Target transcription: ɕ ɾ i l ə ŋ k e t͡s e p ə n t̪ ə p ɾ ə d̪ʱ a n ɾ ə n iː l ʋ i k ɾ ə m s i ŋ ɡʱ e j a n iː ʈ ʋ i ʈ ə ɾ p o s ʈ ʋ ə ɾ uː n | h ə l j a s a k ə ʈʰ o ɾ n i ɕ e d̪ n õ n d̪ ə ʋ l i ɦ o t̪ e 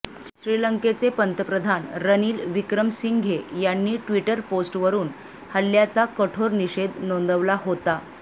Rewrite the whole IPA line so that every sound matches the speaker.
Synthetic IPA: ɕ ɾ i l ə ŋ k e t͡s e p ə n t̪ ə p ɾ ə d̪ʱ a n ɾ ə n iː l ʋ i k ɾ ə m s i ŋ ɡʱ e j a nː iː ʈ ʋ i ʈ ə ɾ p o s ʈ ʋ ə ɾ uː n | h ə l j a t͡s a k ə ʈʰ o ɾ n i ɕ e d̪ n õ n d̪ ə ʋ l a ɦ o t̪ a

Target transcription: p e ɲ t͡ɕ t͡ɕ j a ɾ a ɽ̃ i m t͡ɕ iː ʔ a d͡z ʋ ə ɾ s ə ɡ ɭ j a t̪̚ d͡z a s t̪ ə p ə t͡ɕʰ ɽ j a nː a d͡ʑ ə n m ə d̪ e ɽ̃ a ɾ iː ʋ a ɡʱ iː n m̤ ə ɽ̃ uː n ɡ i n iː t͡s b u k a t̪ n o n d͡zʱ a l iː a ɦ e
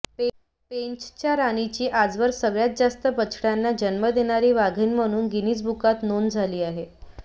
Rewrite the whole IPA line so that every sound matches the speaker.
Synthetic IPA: p e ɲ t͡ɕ t͡ɕ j a ɾ a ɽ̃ i t͡ɕ iː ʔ a d͡z ʋ ə ɾ s ə ɡ ɭ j a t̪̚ d͡z a s t̪ ə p ə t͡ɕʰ ɽ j a nː a d͡ʑ ə n m ə d̪ e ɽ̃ a ɾ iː ʋ a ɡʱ iː n m̤ ə ɽ̃ uː n ɡ i n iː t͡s b u k a t̪ n o n d͡zʱ a l iː a ɦ e

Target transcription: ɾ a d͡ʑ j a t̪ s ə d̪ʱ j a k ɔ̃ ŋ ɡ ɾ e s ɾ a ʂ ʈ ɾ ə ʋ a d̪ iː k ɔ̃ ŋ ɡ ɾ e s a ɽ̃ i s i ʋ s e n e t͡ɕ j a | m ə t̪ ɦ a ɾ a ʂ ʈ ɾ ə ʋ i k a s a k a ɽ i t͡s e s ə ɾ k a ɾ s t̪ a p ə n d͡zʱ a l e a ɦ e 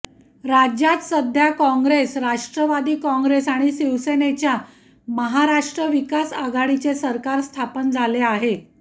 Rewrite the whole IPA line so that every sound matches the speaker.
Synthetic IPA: ɾ a d͡ʑ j a t̪ s ə d̪ʱ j a k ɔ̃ ŋ ɡ ɾ e s ɾ a ʂ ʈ ɾ ə ʋ a d̪ iː k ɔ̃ ŋ ɡ ɾ e s a ɽ̃ i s i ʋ s e n e t͡ɕ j a | m ə ɦ a ɾ a ʂ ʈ ɾ ə ʋ i k a s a ɡ a ɽ i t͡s e s ə ɾ k a ɾ s t̪ʰ a p ə n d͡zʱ a l e a ɦ e

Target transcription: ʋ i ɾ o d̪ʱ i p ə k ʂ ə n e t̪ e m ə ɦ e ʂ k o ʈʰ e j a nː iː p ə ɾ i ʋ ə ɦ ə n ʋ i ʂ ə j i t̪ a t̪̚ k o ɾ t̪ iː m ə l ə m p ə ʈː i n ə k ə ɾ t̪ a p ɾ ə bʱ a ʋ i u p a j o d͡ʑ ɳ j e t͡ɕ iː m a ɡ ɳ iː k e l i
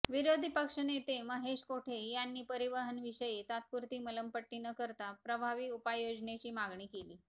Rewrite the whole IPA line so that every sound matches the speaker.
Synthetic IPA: ʋ i ɾ o d̪ʱ i p ə k ʂ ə n e t̪ e m ə ɦ e ʂ k o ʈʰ e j a nː iː p ə ɾ i ʋ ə ɦ ə n ʋ i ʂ ə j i t̪ a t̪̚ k u ɾ t̪ iː m ə l ə m p ə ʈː i n ə k ə ɾ t̪ a p ɾ ə bʱ a ʋ i u p a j o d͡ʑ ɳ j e t͡ɕ iː m a ɡ ɳ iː k e l iː

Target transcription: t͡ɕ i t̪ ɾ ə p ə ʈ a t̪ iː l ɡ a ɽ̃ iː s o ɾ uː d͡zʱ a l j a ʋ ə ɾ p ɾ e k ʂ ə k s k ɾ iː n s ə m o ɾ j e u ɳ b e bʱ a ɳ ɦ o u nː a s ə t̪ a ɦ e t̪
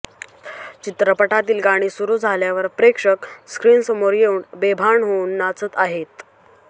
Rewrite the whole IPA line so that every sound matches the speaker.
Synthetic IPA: t͡ɕ i t̪ ɾ ə p ə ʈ a t̪ iː l ɡ a ɽ̃ iː s u ɾ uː d͡zʱ a l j a ʋ ə ɾ p ɾ e k ʂ ə k s k ɾ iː n s ə m o ɾ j e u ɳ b e bʱ a ɳ ɦ o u nː a t͡s ə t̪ a ɦ e t̪

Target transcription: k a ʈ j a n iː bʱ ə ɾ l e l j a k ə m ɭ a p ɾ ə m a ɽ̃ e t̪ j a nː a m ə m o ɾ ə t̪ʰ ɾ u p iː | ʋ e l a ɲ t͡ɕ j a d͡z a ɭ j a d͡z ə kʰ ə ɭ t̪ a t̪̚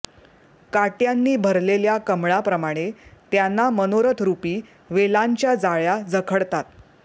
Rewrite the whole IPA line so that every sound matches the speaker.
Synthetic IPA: k a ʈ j a nː iː bʱ ə ɾ l e l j a k ə m ɭ a p ɾ ə m a ɽ̃ e t̪ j a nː a m ə n o ɾ ə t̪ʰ ɾ u p iː | ʋ e l a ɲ t͡ɕ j a d͡z a ɭ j a d͡z ə kʰ ə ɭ t̪ a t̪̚

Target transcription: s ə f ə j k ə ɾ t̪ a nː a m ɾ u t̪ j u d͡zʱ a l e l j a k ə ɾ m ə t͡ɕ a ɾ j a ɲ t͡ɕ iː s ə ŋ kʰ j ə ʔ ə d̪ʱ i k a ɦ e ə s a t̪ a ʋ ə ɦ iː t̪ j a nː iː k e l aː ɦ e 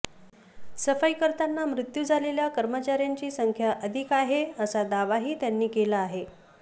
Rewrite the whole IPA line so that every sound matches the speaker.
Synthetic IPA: s ə f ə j k ə ɾ t̪ a nː a m ɾ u t̪ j u d͡zʱ a l e l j a k ə ɾ m ə t͡ɕ a ɾ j a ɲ t͡ɕ iː s ə ŋ kʰ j a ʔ ə d̪ʱ i k a ɦ e ə s a d̪ a ʋ a ɦ iː t̪ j a nː iː k e l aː ɦ e

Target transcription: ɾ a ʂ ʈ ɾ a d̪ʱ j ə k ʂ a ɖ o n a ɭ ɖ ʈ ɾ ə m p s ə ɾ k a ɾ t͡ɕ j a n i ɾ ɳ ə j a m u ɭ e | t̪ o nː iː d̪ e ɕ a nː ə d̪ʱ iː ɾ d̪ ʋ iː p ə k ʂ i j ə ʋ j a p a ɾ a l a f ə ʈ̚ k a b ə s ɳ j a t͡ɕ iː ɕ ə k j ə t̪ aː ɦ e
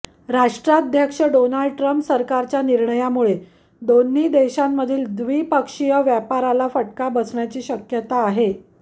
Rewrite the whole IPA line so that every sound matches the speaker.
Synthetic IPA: ɾ a ʂ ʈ ɾ a d̪ʱ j ə k ʂ ə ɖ o n a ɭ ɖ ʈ ɾ ə m p s ə ɾ k a ɾ t͡ɕ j a n i ɾ ɳ ə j a m u ɭ e | d̪ o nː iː d̪ e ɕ a mː ə d̪ʱ iː l d̪ ʋ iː p ə k ʂ i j ə ʋ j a p a ɾ a l a f ə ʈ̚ k a b ə s ɳ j a t͡ɕ iː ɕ ə k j ə t̪ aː ɦ e

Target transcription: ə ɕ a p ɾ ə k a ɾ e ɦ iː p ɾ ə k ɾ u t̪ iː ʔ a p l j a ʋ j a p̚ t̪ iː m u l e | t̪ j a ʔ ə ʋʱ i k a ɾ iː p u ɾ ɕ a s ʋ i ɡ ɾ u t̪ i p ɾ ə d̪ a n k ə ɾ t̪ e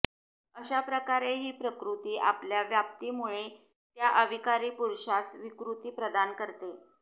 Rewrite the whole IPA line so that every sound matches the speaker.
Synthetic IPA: ə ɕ a p ɾ ə k a ɾ e ɦ iː p ɾ ə k ɾ u t̪ iː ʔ a p l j a ʋ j a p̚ t̪ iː m u ɭ e | t̪ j a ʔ ə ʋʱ i k a ɾ iː p u ɾ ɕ a s ʋ i k ɾ u t̪ iː p ɾ ə d̪ a n k ə ɾ t̪ e

